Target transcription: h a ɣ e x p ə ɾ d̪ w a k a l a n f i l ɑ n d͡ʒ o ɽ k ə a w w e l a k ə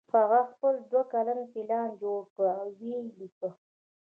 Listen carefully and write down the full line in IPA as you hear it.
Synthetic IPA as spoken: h a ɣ a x p ə l d̪ w a k a l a n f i l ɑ n d͡ʒ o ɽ k ə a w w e l i k ə